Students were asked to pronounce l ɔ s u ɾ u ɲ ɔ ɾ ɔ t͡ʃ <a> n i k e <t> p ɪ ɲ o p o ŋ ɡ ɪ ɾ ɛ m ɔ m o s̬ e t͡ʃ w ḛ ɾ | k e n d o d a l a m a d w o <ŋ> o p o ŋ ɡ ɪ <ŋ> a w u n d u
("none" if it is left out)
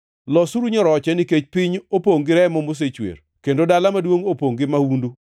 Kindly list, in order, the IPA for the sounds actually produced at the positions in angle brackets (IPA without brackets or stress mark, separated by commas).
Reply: ɛ, t͡ʃ, ŋ, m